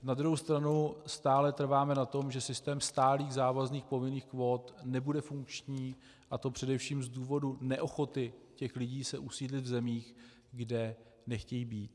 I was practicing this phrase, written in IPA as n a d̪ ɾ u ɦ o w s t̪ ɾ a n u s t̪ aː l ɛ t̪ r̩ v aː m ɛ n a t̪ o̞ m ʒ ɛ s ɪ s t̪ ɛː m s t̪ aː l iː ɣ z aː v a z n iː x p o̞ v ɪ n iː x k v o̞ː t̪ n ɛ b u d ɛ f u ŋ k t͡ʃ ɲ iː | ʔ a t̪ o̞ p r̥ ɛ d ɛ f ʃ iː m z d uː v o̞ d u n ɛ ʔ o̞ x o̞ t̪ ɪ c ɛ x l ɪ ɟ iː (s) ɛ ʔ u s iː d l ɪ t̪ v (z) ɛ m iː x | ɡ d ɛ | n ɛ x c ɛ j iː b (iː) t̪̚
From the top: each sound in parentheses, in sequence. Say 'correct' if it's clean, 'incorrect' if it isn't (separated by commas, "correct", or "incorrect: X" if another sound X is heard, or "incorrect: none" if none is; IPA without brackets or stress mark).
correct, correct, correct